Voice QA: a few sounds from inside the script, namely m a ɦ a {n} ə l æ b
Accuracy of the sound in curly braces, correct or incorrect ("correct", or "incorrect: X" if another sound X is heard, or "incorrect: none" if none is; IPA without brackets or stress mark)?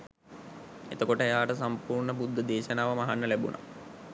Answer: incorrect: nː